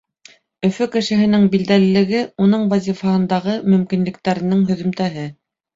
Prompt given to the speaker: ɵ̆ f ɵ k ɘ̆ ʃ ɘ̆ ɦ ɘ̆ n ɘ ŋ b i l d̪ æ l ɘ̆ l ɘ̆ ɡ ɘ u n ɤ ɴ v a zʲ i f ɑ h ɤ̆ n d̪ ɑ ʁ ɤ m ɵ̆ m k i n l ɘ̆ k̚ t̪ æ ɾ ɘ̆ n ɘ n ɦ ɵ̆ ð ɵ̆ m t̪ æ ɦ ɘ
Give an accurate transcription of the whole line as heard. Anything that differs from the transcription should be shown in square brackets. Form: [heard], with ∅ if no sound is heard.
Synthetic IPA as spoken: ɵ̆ f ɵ k ɘ̆ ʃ ɘ̆ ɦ ɘ̆ n ɘ ŋ b i l d̪ æ l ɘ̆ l ɘ̆ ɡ ɘ u n ɤ ɴ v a zʲ i f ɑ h ɤ̆ n d̪ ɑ ʁ ɤ m ɵ̆ m k i n l ɘ̆ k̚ t̪ æ ɾ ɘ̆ n ɘ [ŋ] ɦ ɵ̆ ð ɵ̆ m t̪ æ ɦ ɘ